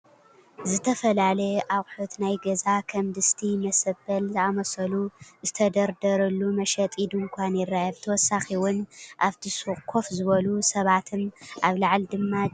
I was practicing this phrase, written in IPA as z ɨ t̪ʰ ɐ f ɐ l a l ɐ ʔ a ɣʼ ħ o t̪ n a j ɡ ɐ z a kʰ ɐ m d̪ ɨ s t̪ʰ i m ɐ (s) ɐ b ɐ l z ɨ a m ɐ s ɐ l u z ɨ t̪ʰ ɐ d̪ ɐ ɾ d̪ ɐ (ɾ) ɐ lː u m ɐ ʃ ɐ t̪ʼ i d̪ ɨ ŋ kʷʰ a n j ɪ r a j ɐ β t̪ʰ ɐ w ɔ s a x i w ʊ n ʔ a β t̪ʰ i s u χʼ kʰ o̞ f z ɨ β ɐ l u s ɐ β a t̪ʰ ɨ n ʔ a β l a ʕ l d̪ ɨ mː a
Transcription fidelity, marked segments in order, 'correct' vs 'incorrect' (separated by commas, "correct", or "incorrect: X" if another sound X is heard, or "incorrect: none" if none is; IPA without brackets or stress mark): correct, correct